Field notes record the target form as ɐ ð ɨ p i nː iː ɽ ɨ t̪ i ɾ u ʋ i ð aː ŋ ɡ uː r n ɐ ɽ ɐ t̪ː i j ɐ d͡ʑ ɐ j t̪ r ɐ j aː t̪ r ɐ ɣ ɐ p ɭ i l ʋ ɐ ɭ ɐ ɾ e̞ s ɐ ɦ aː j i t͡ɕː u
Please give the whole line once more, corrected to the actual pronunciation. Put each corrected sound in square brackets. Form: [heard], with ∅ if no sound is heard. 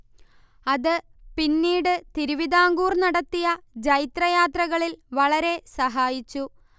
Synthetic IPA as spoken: ɐ ð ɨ p i nː iː ɽ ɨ t̪ i ɾ u ʋ i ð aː ŋ ɡ uː r n ɐ ɽ ɐ t̪ː i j ɐ d͡ʑ ɐ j t̪ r ɐ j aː t̪ r ɐ ɣ ɐ [∅] ɭ i l ʋ ɐ ɭ ɐ ɾ e̞ s ɐ ɦ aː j i t͡ɕː u